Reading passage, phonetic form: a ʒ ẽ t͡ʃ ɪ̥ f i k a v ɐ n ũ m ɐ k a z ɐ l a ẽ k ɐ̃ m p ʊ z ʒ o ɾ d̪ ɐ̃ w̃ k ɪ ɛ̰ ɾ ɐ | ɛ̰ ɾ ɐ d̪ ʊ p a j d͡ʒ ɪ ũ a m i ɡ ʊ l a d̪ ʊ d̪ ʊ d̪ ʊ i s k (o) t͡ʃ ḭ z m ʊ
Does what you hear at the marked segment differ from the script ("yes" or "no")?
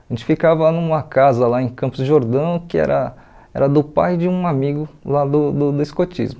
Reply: no